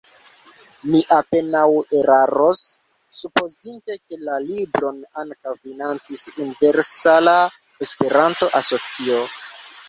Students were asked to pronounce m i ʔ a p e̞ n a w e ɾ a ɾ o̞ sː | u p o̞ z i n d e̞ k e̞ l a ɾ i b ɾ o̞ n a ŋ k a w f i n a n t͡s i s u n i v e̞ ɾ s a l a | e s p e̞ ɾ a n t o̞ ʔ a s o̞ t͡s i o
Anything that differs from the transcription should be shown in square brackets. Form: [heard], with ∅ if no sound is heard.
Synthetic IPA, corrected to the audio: m i ʔ a p e̞ n a w e ɾ a ɾ o̞ sː | u p o̞ z i n [t] e̞ k e̞ l a [l] i b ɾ o̞ n a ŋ k a w f i n a n t͡s i s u n i v e̞ ɾ s a l a | e s p e̞ ɾ a n t o̞ ʔ a s o̞ t͡s i o